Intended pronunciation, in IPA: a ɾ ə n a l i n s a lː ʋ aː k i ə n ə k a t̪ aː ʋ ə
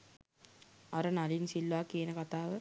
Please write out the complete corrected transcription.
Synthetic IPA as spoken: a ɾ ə n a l i n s i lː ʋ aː k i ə n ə k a t̪ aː ʋ ə